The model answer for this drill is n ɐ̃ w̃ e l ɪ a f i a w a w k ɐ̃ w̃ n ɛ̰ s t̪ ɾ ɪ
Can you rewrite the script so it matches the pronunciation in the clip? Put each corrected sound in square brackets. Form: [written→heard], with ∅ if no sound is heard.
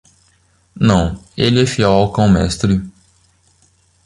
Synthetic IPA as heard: n ɐ̃ w̃ e l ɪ [a→ɛ] f i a w a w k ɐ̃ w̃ [n→m] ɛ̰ s t̪ ɾ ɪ